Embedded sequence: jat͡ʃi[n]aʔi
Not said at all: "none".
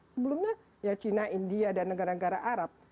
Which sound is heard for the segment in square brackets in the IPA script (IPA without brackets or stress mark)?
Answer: n